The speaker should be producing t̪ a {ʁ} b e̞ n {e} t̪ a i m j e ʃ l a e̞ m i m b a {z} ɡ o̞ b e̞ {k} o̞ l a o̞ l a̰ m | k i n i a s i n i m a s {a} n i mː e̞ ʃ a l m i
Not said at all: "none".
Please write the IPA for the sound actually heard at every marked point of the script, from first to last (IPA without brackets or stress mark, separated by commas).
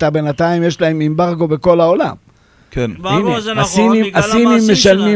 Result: none, a, ʁ, k, i